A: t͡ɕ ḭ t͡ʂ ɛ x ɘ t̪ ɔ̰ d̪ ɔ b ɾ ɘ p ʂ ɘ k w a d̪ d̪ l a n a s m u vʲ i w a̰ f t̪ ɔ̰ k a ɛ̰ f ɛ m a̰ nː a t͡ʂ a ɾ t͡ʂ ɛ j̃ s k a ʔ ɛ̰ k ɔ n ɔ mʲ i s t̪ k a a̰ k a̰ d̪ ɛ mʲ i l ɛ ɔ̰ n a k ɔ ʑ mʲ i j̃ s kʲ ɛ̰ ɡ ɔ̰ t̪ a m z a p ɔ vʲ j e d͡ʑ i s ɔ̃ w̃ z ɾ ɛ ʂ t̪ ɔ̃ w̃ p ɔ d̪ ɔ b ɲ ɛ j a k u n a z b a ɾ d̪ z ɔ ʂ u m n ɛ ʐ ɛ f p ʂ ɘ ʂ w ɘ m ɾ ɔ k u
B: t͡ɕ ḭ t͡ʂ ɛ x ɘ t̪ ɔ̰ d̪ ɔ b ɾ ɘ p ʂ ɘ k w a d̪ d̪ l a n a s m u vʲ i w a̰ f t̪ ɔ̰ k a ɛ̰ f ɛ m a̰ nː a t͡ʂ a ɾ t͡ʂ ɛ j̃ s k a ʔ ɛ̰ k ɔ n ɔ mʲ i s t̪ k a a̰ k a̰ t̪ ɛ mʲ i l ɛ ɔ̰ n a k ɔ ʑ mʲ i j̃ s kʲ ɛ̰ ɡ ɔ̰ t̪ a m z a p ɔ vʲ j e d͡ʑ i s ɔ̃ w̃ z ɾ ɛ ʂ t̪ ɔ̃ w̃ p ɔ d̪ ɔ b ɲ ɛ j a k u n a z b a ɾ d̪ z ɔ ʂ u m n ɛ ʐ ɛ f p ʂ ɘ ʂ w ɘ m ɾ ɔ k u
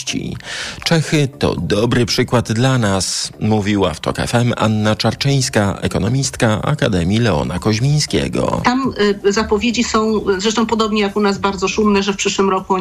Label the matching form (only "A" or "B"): A